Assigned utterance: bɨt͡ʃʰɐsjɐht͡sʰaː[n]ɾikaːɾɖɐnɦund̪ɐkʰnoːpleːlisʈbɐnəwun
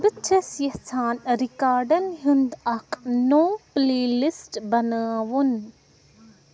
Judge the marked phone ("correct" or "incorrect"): correct